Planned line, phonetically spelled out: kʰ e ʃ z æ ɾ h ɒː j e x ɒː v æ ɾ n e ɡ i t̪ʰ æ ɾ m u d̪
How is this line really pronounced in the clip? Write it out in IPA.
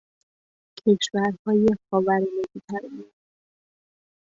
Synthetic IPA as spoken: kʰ e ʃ v æ ɾ h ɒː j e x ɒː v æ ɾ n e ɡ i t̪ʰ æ ɾ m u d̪

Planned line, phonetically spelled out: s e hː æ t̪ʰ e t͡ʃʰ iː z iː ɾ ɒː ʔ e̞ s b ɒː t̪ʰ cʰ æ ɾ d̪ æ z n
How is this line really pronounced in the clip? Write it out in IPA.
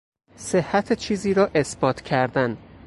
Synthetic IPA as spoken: s e hː æ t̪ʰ e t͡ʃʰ iː z iː ɾ ɒː ʔ e̞ s b ɒː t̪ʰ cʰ æ ɾ d̪ æ n

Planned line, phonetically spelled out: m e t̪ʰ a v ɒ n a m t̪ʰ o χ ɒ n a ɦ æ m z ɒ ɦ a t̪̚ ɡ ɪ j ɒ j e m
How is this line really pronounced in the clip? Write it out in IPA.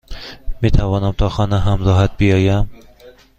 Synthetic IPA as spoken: m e t̪ʰ a v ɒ n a m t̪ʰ ɒ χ ɒ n a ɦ a m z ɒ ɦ a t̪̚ b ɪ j ɒ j a m

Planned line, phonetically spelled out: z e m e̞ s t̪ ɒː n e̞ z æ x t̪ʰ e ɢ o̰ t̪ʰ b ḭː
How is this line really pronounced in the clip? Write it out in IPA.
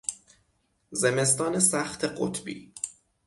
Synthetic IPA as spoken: z e m e̞ s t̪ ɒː n e̞ s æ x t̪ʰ e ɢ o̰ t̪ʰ b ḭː

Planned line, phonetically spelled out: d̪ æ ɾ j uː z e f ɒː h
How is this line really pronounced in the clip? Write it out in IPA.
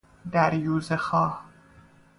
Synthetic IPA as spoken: d̪ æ ɾ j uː z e x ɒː h

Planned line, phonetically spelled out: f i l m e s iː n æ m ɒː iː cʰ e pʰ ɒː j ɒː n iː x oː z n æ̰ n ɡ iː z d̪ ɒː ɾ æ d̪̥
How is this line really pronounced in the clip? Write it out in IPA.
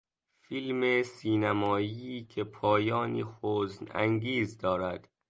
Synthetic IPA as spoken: f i l m e s iː n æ m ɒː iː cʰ e pʰ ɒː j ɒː n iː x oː z n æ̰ ŋ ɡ iː z d̪ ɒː ɾ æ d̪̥

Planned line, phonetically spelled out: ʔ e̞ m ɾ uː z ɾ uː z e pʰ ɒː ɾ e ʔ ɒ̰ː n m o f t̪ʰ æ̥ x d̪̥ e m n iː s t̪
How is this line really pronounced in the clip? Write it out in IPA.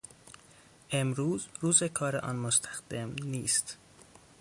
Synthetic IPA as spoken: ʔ e̞ m ɾ uː z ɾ uː z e kʰ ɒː ɾ e ʔ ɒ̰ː n m o s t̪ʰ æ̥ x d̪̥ e m n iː s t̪

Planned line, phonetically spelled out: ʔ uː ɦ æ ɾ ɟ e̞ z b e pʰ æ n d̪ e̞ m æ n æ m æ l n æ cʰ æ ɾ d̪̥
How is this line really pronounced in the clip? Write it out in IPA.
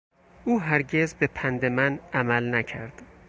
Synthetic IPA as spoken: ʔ uː ɦ æ ɾ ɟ e̞ z b e pʰ æ n d̪ e̞ m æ n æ m æ l n æ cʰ æ ɾ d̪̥

